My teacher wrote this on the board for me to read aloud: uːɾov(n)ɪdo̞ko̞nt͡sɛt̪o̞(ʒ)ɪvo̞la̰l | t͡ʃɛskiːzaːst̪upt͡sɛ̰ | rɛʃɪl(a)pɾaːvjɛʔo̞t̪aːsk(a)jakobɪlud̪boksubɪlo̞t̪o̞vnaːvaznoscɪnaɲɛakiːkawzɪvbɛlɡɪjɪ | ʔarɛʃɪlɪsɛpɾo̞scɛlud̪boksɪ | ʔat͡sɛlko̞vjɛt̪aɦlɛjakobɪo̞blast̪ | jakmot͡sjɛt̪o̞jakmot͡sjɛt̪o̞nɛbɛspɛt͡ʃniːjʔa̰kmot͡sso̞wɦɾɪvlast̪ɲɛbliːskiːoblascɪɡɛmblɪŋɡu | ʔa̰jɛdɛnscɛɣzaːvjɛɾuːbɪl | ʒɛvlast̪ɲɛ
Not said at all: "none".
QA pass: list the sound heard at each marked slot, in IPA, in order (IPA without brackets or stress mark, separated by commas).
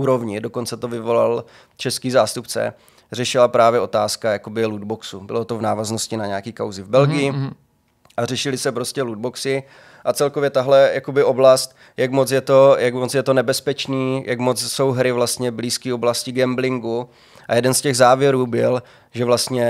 ɲ, v, a, a